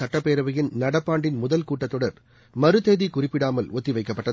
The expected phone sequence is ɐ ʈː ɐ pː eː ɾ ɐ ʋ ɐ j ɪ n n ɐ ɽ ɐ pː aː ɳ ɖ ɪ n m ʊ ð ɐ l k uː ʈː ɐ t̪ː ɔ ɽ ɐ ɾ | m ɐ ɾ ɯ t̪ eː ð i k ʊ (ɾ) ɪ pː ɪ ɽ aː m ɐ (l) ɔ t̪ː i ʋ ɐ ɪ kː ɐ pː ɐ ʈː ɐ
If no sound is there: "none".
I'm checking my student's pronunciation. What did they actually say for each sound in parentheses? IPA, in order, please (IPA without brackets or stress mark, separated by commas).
r, l